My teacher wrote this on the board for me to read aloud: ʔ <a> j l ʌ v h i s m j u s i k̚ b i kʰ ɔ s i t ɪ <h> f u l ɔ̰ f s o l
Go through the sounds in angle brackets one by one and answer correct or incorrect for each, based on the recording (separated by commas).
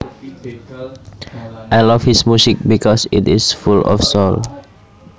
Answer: correct, incorrect